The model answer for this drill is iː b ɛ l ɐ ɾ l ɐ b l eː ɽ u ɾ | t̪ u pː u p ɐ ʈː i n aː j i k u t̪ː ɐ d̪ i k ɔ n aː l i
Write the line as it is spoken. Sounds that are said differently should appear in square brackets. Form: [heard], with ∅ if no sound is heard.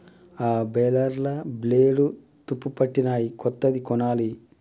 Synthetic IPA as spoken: [aː] b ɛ l ɐ ɾ l ɐ b l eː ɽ u [∅] | t̪ u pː u p ɐ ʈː i n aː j i k [ɔ] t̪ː ɐ d̪ i k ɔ n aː l i